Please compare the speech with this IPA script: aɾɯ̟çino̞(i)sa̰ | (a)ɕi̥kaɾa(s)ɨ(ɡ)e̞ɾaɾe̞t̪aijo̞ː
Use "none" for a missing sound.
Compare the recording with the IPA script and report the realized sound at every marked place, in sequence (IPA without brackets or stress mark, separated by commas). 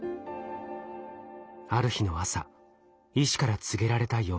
a, i, t͡s, ɡ